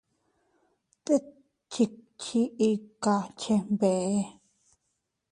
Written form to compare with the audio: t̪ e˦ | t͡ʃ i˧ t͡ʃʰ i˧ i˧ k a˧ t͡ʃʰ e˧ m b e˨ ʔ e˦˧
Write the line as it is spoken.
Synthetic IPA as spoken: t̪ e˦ | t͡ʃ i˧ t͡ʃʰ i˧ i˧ k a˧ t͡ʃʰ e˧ m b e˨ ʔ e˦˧